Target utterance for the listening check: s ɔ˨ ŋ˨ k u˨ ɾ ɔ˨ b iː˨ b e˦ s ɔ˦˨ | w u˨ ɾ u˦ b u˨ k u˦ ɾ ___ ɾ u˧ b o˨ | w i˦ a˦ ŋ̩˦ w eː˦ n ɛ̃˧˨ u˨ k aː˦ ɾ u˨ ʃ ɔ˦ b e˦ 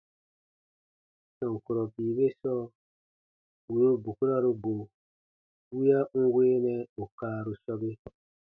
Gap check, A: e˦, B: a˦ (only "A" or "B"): B